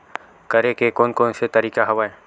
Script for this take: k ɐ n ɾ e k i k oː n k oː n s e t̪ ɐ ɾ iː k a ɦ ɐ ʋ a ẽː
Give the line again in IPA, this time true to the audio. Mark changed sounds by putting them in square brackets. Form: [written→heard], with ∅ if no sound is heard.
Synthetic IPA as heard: k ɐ [n→∅] ɾ e k [i→e] k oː n k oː n s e t̪ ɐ ɾ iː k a ɦ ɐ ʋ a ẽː